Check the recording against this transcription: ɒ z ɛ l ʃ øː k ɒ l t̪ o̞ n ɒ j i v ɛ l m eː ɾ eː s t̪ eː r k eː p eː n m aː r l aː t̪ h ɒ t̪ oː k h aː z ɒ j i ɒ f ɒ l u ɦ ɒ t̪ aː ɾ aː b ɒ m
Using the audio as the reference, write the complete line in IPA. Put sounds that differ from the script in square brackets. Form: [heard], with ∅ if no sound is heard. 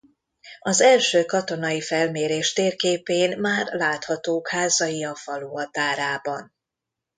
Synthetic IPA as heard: ɒ z ɛ l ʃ øː k ɒ [∅] t̪ o̞ n ɒ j i [f] ɛ l m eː ɾ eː [ʃ] t̪ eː r k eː p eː n m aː r l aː t̪ h ɒ t̪ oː k h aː z ɒ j i ɒ f ɒ l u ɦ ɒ t̪ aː ɾ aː b ɒ [n]